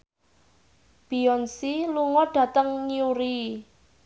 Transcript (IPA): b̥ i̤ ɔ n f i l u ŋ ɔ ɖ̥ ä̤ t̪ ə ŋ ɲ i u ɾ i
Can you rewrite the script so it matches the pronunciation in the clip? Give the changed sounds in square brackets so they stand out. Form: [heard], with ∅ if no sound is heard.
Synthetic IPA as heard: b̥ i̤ ɔ n [s] i l u ŋ ɔ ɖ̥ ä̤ t̪ ə ŋ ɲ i u ɾ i